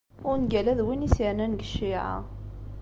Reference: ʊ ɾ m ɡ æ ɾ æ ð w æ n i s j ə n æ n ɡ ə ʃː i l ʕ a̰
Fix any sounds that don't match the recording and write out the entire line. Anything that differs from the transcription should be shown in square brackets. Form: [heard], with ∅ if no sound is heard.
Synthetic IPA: ʊ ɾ [n] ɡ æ [l] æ ð w [i] n i s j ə n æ n ɡ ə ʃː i [∅] ʕ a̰